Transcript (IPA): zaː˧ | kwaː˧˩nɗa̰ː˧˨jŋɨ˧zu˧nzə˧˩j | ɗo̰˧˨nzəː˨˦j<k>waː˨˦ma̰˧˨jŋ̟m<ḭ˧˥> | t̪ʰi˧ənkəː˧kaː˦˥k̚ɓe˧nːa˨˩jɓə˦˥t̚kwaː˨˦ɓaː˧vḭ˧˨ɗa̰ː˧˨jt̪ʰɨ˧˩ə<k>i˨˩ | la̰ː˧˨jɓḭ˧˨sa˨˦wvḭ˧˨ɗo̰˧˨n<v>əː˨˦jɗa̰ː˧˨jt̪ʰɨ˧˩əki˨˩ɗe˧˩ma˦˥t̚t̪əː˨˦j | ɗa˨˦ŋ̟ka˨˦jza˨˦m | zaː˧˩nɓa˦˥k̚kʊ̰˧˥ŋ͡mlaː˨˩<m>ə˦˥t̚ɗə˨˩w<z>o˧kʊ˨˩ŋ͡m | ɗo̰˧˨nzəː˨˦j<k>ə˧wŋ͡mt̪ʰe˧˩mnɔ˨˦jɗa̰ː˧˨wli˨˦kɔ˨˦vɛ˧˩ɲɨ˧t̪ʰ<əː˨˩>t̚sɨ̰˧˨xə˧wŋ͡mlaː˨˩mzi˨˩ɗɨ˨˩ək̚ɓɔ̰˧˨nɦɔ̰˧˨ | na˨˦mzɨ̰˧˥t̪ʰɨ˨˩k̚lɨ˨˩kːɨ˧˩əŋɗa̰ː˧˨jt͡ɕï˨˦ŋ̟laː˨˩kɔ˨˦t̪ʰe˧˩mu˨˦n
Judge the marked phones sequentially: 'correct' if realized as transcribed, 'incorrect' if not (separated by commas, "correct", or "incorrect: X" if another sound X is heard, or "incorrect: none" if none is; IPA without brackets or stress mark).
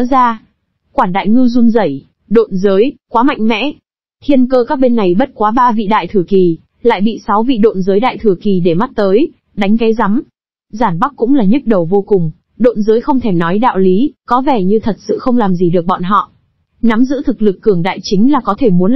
correct, incorrect: ɛ̰˧˥, correct, incorrect: z, incorrect: ɲ, incorrect: v, incorrect: x, incorrect: ə˨˩